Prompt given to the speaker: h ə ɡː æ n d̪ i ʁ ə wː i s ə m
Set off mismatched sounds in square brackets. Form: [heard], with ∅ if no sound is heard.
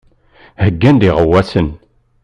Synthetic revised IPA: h ə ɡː æ n d̪ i ʁ ə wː [æ] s ə [n]